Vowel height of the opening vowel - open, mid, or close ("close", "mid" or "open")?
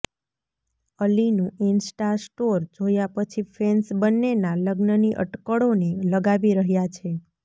mid